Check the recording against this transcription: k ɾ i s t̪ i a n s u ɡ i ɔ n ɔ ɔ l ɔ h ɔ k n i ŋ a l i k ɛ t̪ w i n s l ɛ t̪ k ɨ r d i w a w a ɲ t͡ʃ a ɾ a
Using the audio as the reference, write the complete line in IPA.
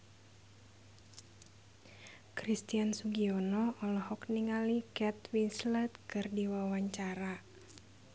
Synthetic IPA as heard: k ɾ i s t̪ i a n s u ɡ i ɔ n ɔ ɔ l ɔ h ɔ k n i ŋ a l i k ɛ t̪ w i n s l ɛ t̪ k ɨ r d i w a w a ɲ t͡ʃ a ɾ a